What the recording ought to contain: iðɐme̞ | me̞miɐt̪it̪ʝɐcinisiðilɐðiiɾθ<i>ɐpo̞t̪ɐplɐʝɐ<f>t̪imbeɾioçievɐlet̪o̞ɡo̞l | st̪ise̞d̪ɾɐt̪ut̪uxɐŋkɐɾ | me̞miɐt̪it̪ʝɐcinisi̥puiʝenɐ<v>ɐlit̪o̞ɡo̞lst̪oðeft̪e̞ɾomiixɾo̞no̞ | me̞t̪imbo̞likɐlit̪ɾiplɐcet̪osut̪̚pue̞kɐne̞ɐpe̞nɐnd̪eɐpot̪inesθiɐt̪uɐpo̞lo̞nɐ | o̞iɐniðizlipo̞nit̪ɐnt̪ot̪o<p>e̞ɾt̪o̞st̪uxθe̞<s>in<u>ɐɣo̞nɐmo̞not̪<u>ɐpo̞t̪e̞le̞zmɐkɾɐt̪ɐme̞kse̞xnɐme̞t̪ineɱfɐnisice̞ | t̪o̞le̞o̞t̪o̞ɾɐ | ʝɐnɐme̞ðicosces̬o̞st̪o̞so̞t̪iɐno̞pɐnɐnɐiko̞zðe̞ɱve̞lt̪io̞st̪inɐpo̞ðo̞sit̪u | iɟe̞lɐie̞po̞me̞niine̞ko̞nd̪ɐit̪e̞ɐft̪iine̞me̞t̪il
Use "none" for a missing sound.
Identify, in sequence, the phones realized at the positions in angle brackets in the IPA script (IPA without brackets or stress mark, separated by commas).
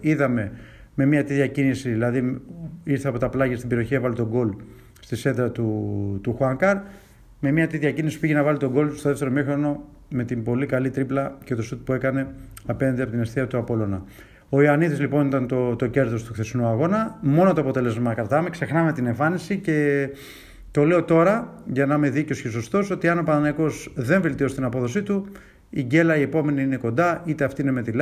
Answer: e, s, v, c, s, u, o